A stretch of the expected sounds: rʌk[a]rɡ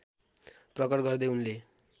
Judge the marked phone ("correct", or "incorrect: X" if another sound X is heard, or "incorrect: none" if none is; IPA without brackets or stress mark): incorrect: ʌ